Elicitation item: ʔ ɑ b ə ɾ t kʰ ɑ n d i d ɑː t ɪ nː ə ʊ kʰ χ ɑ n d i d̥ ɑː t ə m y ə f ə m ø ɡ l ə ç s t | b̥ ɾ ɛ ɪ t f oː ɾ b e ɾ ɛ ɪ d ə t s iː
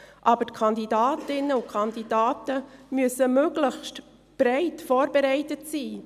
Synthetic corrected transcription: ʔ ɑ b ə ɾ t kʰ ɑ n d i d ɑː t ɪ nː ə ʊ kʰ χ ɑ n d i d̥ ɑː t ə m y ə s ə m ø ɡ l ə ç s t | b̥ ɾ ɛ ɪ t f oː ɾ b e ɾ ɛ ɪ t ə t s iː